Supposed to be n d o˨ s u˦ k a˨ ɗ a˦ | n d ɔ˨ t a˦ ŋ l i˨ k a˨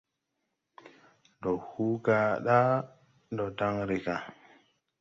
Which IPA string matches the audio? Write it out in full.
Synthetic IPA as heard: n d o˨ h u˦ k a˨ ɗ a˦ | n d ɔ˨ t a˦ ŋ ɾ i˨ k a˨